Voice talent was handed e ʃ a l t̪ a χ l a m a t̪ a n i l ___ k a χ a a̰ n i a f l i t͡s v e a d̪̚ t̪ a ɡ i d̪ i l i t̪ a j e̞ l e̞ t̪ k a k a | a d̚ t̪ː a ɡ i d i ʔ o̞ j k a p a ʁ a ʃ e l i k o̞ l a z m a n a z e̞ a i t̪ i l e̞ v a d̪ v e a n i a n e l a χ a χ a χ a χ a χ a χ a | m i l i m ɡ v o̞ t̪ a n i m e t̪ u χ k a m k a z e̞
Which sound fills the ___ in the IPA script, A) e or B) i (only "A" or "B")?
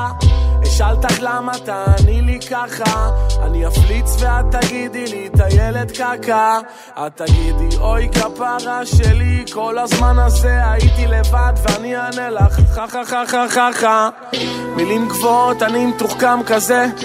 B